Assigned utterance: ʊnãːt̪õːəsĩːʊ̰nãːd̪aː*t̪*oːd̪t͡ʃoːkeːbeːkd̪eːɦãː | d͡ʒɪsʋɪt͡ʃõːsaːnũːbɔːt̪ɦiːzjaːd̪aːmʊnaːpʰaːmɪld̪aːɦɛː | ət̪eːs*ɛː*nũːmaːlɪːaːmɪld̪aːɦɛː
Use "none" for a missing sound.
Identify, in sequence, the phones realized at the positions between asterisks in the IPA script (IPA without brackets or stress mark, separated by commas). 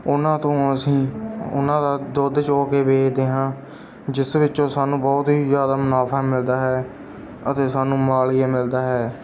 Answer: d̪, aː